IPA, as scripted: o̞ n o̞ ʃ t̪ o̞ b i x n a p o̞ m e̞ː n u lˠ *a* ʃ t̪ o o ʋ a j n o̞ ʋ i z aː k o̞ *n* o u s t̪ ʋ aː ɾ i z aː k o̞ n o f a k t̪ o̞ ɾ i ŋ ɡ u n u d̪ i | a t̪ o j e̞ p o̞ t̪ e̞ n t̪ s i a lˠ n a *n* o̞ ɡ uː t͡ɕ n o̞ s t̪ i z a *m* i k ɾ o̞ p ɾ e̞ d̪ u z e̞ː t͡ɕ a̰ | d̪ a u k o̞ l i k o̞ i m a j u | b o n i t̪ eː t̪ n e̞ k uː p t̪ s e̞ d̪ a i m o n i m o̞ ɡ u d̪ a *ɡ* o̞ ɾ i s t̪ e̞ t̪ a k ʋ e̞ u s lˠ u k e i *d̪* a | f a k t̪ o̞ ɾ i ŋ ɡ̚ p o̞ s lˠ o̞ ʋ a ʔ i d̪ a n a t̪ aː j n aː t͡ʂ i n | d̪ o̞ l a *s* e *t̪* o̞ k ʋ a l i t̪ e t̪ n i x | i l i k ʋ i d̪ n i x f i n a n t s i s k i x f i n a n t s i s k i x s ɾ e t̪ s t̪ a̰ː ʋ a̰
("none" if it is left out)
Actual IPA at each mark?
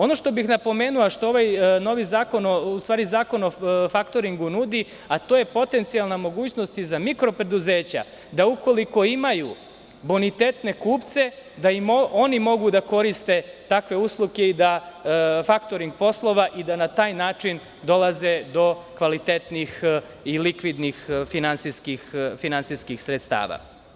a, n, m, m, k, d̪, z, d̪

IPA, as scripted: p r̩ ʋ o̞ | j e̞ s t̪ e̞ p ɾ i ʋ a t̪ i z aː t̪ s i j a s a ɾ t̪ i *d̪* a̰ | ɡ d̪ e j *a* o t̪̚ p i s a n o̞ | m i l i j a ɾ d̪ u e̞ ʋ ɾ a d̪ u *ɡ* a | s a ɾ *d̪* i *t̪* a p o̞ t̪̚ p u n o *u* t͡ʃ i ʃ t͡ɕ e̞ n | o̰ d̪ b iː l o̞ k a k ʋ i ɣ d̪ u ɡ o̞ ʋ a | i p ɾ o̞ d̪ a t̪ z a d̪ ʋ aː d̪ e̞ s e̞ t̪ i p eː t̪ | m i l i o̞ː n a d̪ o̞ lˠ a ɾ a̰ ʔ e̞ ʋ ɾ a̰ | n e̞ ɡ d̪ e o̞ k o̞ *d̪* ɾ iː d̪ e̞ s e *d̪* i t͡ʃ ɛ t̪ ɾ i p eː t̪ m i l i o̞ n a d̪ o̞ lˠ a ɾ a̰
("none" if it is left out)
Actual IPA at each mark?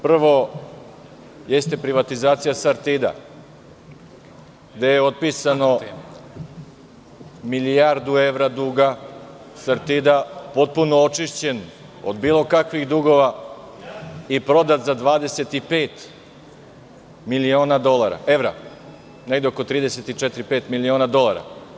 d̪, e, ɡ, t̪, d̪, o, t̪, t̪

